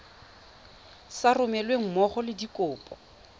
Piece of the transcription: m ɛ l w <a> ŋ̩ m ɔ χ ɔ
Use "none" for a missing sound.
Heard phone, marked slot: e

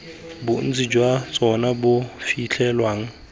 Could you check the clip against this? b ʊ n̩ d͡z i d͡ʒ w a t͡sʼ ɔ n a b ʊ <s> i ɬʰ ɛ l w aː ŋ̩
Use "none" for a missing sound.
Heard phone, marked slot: f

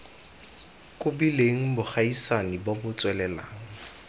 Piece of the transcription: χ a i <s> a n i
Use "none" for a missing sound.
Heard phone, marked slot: s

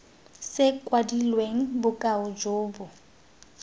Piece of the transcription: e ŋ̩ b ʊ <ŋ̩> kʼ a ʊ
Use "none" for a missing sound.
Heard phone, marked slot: none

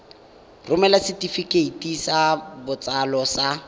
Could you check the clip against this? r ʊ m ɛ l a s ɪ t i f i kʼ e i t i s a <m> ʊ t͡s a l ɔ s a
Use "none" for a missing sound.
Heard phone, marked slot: b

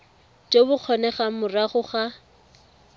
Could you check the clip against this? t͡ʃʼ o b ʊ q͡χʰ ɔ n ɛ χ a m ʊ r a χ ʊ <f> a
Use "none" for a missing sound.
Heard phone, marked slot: χ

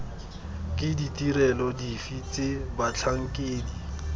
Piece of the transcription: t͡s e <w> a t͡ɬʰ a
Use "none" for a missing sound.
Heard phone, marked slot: b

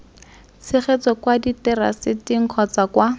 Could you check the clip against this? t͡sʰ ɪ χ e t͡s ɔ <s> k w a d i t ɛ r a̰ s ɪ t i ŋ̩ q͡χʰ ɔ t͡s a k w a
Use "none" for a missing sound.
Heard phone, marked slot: none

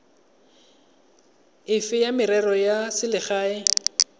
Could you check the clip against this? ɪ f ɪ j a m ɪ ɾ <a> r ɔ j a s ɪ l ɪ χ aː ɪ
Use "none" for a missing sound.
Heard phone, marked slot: ɛ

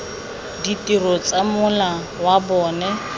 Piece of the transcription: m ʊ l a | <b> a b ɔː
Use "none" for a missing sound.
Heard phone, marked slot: w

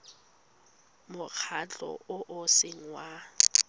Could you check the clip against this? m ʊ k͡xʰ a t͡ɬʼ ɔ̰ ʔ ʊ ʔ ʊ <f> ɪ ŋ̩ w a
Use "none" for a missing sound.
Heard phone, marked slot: s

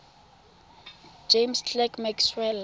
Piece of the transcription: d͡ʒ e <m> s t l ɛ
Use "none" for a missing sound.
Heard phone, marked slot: m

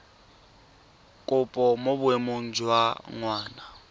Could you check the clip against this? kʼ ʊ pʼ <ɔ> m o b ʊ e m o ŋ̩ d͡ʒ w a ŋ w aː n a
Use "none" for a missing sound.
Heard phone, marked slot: ɔ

